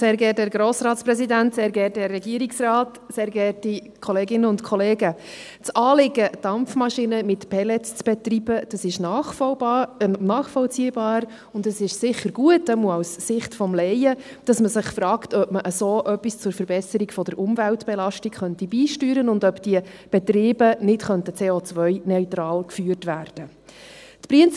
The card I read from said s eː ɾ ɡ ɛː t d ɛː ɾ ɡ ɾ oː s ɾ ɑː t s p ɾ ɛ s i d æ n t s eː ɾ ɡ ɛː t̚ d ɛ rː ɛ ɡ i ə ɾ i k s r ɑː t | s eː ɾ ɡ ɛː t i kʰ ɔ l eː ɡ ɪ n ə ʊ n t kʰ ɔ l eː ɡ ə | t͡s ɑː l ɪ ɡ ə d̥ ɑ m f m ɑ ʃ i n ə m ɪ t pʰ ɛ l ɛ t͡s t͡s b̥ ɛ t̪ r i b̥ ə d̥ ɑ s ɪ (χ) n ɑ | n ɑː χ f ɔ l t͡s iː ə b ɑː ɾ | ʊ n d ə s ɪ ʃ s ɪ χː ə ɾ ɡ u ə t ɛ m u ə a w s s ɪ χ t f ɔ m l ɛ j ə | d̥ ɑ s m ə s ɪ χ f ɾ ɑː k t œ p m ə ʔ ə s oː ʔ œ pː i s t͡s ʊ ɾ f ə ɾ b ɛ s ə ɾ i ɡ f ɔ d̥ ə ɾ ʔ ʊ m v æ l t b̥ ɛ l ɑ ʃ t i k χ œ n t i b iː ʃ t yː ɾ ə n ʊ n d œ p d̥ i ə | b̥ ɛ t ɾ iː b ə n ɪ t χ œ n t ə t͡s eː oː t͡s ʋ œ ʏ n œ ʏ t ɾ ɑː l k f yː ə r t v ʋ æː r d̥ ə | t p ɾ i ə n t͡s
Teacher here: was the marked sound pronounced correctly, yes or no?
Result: no